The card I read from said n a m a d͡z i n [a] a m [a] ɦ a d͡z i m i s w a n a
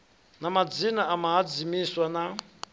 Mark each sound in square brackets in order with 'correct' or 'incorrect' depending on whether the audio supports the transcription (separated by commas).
correct, correct